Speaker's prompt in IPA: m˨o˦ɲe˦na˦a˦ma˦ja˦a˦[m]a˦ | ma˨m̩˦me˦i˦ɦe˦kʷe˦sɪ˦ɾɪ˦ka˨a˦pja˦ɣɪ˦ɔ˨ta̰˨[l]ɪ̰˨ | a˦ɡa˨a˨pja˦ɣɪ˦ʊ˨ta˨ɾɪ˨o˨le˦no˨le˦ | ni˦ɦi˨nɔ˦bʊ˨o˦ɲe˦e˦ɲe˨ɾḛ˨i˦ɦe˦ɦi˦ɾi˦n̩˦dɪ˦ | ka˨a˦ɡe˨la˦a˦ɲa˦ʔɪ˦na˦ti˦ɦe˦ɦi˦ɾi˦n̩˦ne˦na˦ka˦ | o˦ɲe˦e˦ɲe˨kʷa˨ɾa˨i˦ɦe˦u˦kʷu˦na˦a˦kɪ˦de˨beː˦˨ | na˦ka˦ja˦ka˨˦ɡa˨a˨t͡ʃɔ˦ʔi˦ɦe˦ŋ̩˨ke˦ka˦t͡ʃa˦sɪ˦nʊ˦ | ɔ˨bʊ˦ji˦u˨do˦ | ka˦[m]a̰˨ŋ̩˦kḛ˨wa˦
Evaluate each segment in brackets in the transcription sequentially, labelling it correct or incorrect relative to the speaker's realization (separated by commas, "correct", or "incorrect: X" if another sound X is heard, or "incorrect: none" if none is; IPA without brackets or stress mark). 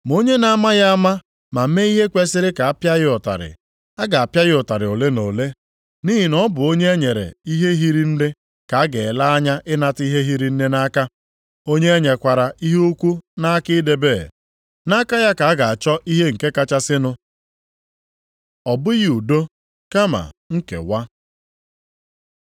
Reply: correct, incorrect: ɾ, correct